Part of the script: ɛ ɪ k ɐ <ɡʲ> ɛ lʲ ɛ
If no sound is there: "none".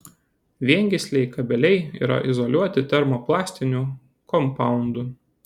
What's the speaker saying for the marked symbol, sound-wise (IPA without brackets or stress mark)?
bʲ